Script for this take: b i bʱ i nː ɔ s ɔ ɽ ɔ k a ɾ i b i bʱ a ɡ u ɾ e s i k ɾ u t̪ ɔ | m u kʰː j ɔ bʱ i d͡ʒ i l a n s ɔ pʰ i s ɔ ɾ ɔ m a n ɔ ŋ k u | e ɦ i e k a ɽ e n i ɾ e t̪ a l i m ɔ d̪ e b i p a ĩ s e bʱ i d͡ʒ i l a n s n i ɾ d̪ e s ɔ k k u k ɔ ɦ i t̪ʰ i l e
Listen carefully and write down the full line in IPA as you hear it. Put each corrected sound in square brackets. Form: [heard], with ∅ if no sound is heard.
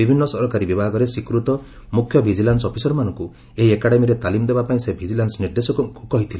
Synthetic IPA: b i bʱ i nː ɔ s ɔ [ɾ] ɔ k a ɾ i b i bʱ a ɡ [ɔ] ɾ e s i k ɾ u t̪ ɔ | m u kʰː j ɔ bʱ i d͡ʒ i l a n s ɔ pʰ i s ɔ ɾ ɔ m a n ɔ ŋ k u | e ɦ i e k a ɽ e [m] i ɾ e t̪ a l i m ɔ d̪ e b [a] p a ĩ s e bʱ i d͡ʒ i l a n s n i ɾ d̪ e s ɔ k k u k ɔ ɦ i t̪ʰ i l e